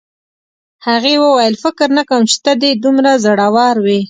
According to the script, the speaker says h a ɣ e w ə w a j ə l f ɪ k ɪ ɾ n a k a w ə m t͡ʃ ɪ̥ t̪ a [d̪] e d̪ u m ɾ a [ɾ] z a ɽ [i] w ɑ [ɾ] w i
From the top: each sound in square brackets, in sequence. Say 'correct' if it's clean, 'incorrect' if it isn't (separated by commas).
correct, incorrect, incorrect, correct